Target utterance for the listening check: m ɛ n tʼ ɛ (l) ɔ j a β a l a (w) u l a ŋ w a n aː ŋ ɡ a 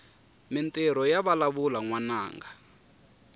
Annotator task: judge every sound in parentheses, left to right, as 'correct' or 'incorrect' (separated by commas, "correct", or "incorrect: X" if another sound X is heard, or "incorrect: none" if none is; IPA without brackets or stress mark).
incorrect: ɾ, incorrect: β